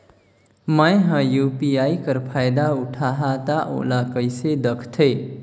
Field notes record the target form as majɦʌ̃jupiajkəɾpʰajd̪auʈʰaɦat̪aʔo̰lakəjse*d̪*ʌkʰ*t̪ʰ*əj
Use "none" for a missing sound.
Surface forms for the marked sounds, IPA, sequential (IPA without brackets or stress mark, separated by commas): d̪, t̪ʰ